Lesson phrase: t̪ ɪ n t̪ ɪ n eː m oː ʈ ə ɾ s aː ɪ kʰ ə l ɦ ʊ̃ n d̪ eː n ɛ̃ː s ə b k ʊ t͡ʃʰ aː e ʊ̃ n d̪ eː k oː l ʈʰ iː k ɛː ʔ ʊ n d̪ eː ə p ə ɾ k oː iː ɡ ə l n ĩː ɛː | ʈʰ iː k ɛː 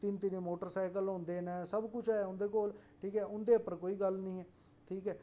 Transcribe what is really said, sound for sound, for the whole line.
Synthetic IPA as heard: t̪ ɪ n t̪ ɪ n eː m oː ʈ ə ɾ s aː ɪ k ə l ɦ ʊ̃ n d̪ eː n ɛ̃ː s ə b k ʊ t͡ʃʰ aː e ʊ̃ n d̪ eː k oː l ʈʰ iː k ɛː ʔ ʊ n d̪ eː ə p ə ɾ k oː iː ɡ ə l n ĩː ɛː | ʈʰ iː k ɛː